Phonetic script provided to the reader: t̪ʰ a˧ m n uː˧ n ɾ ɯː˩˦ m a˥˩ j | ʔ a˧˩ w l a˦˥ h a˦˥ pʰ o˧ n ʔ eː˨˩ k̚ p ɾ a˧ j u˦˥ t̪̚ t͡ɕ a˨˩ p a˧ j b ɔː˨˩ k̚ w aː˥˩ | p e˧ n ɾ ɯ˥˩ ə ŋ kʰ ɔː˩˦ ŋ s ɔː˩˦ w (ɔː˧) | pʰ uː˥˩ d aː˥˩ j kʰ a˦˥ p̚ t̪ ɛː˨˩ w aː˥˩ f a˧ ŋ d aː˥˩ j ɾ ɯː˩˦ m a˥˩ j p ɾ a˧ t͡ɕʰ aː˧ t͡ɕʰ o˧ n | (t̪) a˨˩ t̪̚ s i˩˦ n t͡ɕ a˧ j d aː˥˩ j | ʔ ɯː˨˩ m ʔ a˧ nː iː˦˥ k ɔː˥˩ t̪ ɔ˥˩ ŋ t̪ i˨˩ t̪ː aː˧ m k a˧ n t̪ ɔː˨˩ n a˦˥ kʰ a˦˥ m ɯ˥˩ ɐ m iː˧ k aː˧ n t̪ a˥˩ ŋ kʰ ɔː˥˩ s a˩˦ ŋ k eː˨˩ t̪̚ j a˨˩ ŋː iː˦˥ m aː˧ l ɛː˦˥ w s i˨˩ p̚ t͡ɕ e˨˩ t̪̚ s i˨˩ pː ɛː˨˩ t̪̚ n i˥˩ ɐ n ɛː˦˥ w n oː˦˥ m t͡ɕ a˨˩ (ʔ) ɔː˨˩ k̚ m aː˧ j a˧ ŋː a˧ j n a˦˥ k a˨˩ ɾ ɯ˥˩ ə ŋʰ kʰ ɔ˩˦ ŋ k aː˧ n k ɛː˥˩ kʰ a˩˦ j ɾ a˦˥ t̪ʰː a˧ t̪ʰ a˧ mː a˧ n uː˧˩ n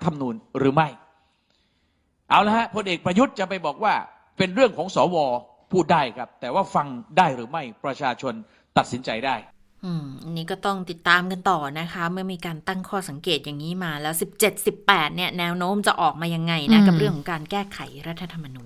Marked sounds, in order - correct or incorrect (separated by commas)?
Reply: correct, correct, correct